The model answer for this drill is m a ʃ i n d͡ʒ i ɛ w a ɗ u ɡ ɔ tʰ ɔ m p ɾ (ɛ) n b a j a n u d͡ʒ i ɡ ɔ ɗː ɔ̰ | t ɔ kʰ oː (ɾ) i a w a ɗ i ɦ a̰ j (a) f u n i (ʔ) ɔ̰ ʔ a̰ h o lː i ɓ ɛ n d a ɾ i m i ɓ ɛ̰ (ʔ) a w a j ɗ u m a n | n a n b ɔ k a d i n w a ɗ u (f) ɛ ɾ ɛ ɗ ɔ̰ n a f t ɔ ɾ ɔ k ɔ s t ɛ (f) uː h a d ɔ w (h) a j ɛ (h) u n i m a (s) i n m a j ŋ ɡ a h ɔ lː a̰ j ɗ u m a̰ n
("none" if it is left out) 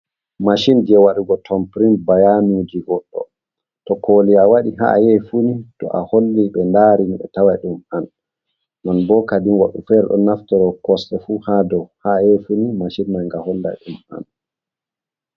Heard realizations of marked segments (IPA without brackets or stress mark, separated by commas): i, l, ɛ, t, t, f, f, h, f, ʃ